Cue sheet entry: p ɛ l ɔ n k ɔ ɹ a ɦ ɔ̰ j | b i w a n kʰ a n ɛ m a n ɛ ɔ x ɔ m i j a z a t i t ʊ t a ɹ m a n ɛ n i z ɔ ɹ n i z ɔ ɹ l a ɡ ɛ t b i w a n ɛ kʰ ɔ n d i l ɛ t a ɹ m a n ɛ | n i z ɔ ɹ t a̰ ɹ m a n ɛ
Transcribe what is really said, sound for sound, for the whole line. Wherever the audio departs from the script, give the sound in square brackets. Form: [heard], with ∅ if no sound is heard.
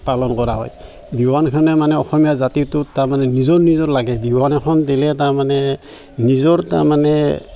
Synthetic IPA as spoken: p [a] l ɔ n k ɔ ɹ a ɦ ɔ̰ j | b i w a n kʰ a n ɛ m a n ɛ ɔ x ɔ m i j a z a t i t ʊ t a ɹ m a n ɛ n i z ɔ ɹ n i z ɔ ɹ l a ɡ ɛ [∅] b i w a n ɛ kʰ ɔ n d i l ɛ t a ɹ m a n ɛ | n i z ɔ ɹ t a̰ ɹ m a n ɛ